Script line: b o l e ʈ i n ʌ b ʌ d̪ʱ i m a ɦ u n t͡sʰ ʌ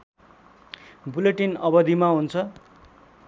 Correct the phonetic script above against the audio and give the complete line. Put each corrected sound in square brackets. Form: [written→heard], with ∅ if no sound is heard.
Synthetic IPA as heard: b [o→u] l e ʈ i n ʌ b ʌ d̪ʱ i m a ɦ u n t͡sʰ ʌ